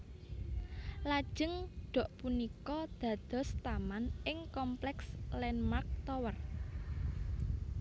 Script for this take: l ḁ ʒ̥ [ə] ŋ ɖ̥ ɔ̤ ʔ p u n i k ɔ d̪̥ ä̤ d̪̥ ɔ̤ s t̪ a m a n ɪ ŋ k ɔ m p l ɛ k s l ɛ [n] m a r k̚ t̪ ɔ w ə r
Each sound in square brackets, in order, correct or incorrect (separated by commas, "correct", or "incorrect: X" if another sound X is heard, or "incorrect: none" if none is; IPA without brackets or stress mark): correct, correct